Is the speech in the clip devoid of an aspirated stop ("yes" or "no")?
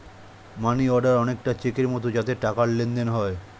yes